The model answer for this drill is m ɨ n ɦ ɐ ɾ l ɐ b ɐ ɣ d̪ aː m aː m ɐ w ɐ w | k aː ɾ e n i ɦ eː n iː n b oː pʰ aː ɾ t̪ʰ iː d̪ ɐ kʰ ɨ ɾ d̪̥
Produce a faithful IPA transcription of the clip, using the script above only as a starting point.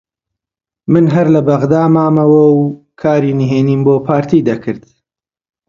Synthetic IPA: m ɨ n ɦ ɐ ɾ l ɐ b ɐ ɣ d̪ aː m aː m ɐ w ɐ w | kʰ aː ɾ i n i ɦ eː n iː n b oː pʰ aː ɾ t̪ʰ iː d̪ ɐ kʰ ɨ ɾ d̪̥

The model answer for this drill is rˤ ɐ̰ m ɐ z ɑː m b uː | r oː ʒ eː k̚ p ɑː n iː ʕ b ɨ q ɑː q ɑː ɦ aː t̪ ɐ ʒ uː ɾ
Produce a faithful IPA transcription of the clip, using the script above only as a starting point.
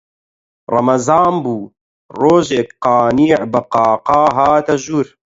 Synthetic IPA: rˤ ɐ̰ m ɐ z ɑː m b uː | r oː ʒ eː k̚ q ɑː n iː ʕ b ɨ q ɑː q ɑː ɦ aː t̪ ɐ ʒ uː ɾ

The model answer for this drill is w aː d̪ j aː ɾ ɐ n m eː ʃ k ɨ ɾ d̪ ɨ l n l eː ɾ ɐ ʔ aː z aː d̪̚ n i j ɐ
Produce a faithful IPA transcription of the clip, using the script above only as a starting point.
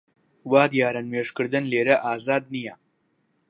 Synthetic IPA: w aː d̪ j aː ɾ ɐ n m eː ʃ k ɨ ɾ d̪ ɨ n l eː ɾ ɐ ʔ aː z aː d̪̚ n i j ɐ

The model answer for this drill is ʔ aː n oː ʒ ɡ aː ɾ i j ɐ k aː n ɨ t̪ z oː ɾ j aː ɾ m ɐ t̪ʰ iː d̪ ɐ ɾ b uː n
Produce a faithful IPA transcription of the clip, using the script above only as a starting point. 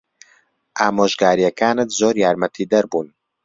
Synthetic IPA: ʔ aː m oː ʒ ɡ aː ɾ i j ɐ k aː n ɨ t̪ z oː ɾ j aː ɾ m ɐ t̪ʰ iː d̪ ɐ ɾ b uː n

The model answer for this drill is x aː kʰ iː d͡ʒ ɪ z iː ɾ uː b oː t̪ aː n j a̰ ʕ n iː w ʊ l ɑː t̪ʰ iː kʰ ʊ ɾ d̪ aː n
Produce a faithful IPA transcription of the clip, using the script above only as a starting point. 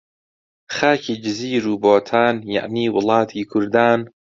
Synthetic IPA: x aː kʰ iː d͡ʒ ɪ z iː ɾ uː b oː t̪ʰ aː n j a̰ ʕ n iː w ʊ l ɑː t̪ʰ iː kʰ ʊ ɾ d̪ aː n

